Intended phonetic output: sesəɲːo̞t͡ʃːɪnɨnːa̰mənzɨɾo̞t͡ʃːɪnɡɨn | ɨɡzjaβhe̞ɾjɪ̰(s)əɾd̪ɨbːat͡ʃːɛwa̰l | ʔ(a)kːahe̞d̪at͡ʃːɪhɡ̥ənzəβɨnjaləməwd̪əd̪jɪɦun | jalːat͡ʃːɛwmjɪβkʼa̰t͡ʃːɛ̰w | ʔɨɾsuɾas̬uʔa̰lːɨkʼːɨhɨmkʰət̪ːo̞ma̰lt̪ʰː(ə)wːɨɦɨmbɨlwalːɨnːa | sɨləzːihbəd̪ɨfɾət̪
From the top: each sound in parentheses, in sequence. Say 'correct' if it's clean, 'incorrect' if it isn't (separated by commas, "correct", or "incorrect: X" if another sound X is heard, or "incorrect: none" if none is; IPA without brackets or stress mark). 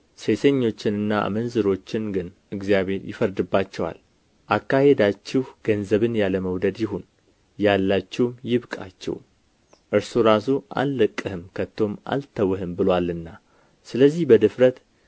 incorrect: f, correct, correct